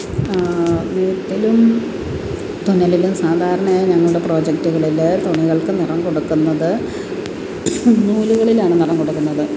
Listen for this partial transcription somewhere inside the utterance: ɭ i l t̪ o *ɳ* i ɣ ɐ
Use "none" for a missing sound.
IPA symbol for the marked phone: ɳ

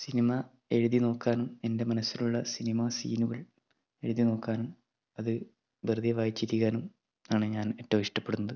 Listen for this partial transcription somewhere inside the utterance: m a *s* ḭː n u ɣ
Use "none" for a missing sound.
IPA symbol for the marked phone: s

